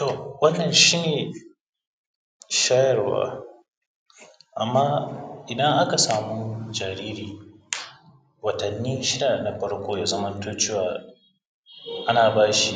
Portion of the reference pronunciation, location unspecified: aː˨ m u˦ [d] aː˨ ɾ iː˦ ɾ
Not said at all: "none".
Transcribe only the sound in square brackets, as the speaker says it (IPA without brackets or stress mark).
d͡ʒ